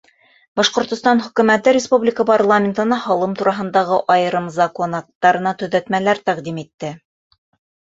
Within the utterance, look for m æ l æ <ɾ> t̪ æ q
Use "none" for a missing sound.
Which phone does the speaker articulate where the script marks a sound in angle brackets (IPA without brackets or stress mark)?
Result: ɾ